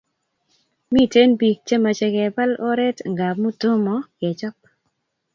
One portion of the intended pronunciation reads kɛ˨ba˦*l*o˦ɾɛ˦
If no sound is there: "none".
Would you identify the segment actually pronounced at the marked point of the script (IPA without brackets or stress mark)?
l